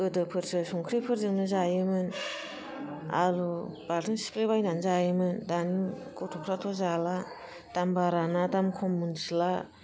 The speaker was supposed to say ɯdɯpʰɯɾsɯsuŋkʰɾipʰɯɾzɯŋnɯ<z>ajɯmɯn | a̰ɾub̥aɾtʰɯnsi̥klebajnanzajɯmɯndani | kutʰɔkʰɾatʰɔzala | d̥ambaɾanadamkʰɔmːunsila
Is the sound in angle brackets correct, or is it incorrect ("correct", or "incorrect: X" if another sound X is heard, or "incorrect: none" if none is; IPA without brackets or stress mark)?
correct